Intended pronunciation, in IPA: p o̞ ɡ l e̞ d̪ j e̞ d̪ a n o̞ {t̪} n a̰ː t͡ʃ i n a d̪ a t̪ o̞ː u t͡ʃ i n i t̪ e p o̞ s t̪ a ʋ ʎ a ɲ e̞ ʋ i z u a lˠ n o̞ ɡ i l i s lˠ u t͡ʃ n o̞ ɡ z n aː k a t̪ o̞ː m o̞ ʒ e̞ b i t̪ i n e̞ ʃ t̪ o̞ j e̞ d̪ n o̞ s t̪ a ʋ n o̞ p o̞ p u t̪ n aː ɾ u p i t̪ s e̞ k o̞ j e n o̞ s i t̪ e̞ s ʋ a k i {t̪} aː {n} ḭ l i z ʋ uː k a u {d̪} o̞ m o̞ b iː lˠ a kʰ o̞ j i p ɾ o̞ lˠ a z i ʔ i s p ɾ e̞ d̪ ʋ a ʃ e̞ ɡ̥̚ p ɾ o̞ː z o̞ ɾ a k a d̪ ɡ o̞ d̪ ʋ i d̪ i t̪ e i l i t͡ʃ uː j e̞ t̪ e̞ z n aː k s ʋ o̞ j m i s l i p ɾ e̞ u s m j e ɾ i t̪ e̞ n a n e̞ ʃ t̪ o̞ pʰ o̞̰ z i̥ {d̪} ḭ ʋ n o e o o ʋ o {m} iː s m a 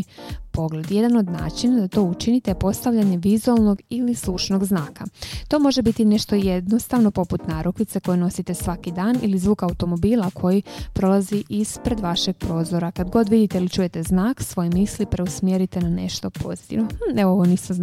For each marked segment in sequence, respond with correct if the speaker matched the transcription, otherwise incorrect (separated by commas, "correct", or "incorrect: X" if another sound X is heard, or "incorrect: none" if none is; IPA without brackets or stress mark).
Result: incorrect: d̪, incorrect: d̪, correct, incorrect: t̪, incorrect: t̪, incorrect: n